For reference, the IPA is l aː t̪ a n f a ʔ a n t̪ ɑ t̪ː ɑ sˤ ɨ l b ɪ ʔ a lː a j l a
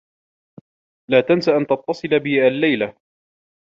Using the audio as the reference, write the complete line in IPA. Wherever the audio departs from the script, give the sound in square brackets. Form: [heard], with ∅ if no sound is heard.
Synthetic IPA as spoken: l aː t̪ a n [s] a ʔ a n t̪ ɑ t̪ː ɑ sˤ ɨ l b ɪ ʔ a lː a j l a